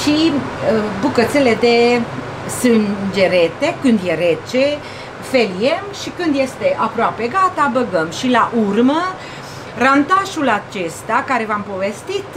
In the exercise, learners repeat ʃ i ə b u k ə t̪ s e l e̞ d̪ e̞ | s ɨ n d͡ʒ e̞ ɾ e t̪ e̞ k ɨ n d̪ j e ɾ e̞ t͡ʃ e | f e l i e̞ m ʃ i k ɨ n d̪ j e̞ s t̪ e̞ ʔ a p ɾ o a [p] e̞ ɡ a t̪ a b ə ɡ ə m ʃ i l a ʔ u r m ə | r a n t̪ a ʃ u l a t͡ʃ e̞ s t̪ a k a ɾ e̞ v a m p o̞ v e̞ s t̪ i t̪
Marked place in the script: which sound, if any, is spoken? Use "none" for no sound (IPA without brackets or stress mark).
p